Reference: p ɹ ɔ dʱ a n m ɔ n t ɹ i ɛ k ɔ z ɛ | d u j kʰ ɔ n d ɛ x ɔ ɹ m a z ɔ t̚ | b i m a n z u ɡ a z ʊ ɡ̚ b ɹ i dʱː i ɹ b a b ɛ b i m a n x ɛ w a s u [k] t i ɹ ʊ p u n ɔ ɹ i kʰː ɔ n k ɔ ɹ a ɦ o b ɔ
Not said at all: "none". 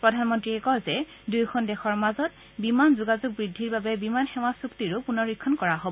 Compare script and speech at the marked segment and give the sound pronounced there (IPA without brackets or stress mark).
k